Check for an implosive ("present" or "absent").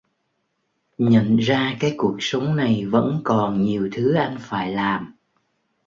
absent